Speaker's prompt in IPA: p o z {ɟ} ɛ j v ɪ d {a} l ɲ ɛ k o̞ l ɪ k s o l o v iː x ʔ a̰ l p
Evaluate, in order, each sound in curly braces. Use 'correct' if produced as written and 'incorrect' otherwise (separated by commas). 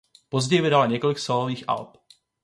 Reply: correct, correct